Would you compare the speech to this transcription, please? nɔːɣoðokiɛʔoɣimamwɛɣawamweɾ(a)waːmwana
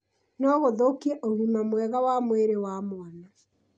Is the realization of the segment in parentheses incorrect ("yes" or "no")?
yes